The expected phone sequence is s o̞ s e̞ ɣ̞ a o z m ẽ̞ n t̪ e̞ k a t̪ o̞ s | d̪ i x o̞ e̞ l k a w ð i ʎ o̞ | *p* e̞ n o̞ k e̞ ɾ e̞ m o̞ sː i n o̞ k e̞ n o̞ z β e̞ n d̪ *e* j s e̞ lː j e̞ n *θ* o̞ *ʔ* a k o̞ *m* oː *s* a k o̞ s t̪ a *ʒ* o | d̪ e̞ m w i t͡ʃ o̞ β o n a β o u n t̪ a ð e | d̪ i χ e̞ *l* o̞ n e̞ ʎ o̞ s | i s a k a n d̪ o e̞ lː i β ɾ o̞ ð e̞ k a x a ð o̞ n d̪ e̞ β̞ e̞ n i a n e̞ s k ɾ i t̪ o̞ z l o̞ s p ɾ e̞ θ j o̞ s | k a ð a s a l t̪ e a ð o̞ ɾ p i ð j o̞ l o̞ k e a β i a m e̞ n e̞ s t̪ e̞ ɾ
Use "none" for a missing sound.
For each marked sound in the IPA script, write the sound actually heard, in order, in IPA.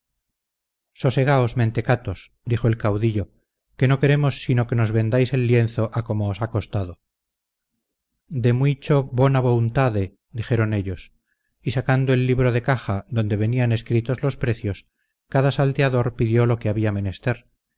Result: k, a, θ, ʔ, m, s, ð, ɾ

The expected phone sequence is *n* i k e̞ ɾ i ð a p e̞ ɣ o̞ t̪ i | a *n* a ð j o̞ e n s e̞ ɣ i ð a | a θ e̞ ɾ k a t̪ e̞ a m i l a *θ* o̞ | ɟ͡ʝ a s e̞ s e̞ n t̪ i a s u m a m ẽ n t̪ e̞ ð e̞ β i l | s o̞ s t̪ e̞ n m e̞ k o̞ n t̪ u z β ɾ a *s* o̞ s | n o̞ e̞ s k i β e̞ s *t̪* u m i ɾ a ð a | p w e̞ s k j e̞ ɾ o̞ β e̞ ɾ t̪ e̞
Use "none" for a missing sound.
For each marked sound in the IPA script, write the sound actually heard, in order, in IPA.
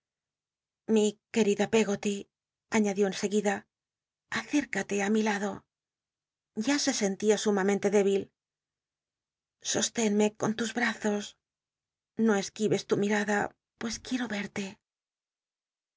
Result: m, ɲ, ð, θ, t̪

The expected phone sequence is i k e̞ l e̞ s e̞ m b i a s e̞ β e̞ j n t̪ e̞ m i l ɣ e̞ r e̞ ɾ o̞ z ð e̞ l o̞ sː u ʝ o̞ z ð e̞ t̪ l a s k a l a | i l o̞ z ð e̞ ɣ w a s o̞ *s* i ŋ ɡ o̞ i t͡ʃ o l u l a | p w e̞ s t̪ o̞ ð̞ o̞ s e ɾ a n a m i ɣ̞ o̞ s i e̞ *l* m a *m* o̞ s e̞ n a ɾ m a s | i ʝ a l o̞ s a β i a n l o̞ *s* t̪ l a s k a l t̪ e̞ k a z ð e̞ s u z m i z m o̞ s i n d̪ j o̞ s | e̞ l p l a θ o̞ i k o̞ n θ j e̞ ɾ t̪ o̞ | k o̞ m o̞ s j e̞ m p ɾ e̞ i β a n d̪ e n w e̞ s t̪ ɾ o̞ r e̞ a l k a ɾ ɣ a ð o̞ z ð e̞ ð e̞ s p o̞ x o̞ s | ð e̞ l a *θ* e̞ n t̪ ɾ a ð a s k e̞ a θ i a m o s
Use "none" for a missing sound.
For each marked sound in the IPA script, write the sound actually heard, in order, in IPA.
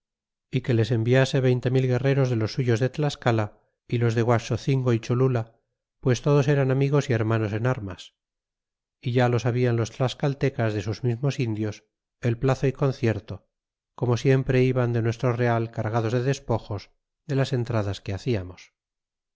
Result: θ, ɾ, n, s, s

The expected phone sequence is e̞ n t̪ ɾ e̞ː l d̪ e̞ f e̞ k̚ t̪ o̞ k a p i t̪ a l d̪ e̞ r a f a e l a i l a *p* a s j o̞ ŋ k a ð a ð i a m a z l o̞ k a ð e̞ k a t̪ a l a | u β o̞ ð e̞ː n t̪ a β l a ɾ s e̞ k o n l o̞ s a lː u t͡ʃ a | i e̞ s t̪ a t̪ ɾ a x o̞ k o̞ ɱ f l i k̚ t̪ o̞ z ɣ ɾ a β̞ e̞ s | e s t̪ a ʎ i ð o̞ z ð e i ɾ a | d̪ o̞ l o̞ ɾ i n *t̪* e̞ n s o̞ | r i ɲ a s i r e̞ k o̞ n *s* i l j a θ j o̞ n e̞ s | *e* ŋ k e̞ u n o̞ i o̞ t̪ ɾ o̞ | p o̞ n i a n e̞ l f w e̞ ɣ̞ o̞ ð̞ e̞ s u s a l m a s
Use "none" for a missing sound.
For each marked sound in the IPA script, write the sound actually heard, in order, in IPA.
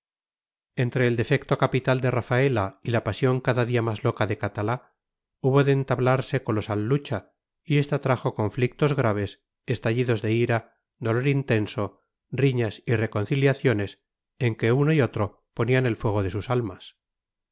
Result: p, t̪, θ, e

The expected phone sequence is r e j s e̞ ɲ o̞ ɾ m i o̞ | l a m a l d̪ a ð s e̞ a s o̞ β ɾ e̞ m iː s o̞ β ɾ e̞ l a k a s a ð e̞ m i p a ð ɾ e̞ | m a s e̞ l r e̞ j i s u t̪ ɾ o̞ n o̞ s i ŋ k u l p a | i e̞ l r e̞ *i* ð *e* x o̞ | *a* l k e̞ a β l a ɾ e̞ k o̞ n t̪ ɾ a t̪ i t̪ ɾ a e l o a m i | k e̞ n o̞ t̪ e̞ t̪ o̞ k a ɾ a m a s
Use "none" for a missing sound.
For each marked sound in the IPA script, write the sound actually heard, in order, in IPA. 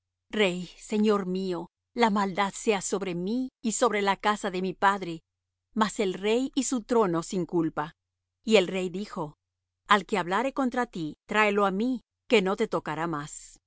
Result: j, i, a

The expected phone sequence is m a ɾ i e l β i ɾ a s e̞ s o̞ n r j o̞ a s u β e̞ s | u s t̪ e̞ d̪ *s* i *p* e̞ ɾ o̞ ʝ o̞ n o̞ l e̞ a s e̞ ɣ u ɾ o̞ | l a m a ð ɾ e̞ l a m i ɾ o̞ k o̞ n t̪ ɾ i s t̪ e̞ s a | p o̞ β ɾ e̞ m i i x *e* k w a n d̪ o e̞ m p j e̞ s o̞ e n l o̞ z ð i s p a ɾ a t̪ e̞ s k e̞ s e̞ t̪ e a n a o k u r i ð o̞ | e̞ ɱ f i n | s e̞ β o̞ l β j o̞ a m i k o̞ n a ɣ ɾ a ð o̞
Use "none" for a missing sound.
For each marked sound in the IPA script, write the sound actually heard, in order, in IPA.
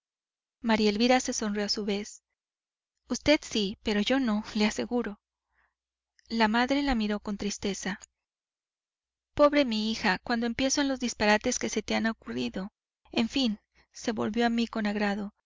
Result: s, p, a

